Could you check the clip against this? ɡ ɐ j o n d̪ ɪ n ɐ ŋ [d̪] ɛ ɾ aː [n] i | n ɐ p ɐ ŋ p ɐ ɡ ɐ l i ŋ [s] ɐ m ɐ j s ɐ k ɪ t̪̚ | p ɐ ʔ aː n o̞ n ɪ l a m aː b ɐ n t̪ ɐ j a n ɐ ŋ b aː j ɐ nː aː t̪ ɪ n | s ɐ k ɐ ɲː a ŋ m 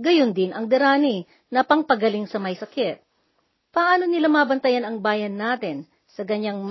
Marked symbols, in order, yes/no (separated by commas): yes, yes, yes